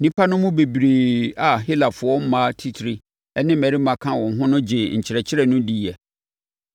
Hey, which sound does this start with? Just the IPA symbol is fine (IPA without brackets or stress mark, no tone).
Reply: n